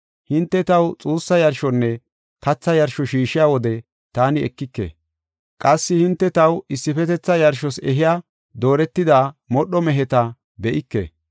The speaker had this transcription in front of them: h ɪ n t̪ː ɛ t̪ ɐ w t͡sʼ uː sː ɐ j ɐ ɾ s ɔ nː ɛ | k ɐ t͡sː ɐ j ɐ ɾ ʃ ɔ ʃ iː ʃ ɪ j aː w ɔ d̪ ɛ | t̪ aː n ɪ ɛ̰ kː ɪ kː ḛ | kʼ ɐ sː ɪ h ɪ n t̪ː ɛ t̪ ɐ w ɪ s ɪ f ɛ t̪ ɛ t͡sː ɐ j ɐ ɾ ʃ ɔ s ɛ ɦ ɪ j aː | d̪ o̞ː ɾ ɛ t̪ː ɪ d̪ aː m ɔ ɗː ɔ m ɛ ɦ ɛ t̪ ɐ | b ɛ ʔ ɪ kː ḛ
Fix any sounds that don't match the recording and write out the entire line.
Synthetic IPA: h ɪ n t̪ː ɛ t̪ ɐ w t͡sʼ uː sː ɐ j ɐ ɾ ʃ ɔ nː ɛ | k ɐ t͡sː ɐ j ɐ ɾ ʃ ɔ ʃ iː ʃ ɪ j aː w ɔ d̪ ɛ | t̪ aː n ɪ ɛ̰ kː ɪ kː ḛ | kʼ ɐ sː ɪ h ɪ n t̪ː ɛ t̪ ɐ w ɪ sː ɪ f ɛ t̪ ɛ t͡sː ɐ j ɐ ɾ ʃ ɔ s ɛ ɦ ɪ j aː | d̪ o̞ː ɾ ɛ t̪ː ɪ d̪ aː m ɔ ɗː ɔ m ɛ ɦ ɛ t̪ ɐ | b ɛ ʔ ɪ kː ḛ